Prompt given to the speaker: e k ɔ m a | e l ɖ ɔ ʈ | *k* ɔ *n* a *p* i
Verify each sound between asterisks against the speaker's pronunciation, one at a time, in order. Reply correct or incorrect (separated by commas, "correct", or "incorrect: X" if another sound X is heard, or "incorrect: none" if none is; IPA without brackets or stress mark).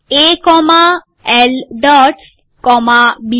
correct, incorrect: m, incorrect: b